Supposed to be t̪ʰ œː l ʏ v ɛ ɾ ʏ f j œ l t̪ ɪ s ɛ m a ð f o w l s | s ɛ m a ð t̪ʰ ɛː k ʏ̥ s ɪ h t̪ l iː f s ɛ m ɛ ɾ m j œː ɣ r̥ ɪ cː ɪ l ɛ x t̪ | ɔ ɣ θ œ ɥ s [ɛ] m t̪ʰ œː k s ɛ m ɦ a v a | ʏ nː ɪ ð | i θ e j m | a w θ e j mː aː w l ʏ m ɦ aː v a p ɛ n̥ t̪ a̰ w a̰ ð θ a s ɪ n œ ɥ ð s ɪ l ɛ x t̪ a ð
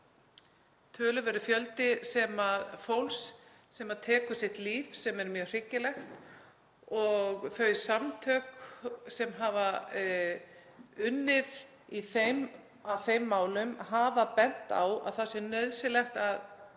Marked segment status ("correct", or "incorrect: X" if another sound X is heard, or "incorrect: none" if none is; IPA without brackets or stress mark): incorrect: a